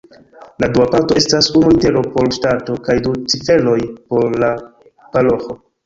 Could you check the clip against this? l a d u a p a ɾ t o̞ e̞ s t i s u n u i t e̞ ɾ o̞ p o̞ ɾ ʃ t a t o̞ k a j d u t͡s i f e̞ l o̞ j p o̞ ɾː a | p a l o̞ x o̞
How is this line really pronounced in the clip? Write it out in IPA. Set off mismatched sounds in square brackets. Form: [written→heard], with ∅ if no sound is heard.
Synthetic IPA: l a d u a p a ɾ t o̞ e̞ s t [i→a] s u n u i t e̞ ɾ o̞ p o̞ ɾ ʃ t a t o̞ k a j d u t͡s i f e̞ l o̞ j p o̞ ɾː a | p a l o̞ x o̞